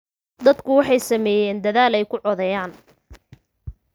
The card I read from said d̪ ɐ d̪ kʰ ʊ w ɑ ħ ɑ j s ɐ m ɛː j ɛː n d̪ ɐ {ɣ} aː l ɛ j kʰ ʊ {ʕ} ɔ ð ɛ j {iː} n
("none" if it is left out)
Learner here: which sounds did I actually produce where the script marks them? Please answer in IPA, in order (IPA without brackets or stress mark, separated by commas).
ð, ʕ, aː